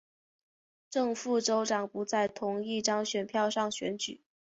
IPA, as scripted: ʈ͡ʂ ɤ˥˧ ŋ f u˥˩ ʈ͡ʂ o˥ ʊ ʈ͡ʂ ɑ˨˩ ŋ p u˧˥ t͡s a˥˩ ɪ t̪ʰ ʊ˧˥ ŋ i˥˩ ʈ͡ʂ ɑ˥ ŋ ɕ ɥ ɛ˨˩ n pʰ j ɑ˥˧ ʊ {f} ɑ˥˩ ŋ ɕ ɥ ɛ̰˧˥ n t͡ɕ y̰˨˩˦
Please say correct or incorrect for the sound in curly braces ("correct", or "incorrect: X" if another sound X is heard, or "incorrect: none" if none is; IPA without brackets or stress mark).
incorrect: ʂ